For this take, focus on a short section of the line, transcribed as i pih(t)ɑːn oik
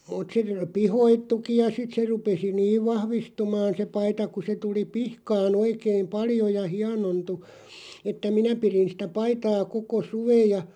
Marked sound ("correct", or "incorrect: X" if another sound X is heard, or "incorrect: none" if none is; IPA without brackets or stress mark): incorrect: k